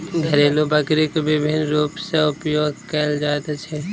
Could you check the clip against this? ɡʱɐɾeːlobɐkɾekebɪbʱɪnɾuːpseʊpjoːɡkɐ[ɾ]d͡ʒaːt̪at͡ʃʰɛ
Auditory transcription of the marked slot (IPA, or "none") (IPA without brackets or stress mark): l